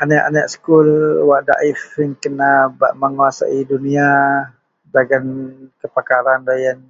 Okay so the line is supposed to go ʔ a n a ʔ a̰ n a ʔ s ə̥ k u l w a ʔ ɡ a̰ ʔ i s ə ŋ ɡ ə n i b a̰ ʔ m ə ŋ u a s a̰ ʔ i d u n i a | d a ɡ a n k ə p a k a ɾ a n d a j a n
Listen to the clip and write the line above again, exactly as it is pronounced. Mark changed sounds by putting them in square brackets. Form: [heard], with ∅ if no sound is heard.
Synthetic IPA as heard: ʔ a n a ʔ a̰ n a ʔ s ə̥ k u l w a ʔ [d] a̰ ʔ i [f] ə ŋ [k] ə n [a] b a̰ ʔ m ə ŋ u a s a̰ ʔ i d u n i a | d a ɡ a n k ə p a k a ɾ a n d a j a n